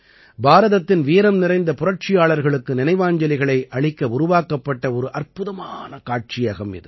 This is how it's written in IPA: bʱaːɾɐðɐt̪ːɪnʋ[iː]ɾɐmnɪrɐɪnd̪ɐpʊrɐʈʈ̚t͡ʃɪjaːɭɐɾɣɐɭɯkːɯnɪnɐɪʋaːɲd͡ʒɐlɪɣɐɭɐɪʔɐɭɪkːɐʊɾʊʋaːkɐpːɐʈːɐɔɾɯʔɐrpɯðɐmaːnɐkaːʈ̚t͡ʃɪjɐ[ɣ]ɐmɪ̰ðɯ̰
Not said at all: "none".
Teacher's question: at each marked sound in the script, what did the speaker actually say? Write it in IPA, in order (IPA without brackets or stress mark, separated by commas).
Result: iː, ɣ